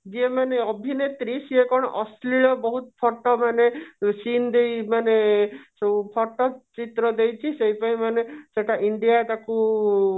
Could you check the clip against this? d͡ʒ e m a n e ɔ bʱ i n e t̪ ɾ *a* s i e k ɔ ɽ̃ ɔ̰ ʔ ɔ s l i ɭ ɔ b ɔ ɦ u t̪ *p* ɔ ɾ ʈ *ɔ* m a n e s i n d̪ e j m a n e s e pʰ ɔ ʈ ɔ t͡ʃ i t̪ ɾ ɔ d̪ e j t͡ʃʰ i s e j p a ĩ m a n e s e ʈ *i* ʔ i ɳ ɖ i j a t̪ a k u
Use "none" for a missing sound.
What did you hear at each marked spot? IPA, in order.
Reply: i, pʰ, ɔ, a

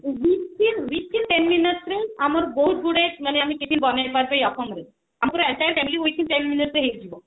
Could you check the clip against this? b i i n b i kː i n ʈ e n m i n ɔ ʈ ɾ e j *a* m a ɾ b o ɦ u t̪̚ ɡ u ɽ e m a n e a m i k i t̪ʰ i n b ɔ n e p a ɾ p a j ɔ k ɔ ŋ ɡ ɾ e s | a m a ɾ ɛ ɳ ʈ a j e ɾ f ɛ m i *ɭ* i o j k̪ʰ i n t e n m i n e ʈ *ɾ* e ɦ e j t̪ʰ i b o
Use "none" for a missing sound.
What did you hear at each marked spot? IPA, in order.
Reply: a, l, ɾ

